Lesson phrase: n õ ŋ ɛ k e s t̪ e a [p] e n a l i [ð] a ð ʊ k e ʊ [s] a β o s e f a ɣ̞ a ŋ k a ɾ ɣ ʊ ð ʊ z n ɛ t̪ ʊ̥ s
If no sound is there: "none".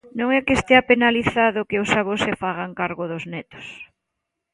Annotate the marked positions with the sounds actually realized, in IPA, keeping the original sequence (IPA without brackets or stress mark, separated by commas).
p, θ, s